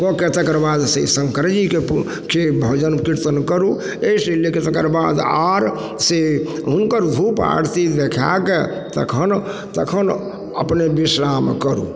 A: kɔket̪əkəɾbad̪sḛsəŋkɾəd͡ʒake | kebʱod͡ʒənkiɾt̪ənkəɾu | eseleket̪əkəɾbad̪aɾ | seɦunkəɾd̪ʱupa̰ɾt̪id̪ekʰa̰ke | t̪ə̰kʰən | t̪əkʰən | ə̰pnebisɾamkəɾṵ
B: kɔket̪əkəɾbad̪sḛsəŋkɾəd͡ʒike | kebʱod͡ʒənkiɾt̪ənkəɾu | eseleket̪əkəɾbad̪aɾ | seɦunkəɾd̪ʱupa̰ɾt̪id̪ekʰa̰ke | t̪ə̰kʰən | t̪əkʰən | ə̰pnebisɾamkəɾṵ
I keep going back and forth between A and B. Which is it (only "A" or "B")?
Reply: B